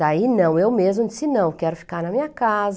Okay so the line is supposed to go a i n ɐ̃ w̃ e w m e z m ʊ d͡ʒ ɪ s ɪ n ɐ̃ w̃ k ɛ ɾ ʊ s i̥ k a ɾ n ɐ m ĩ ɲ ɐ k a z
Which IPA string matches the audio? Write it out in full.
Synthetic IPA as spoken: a i n ɐ̃ w̃ e w m e z m ʊ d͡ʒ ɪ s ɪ n ɐ̃ w̃ k ɛ ɾ ʊ f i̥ k a ɾ n ɐ m ĩ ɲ ɐ k a z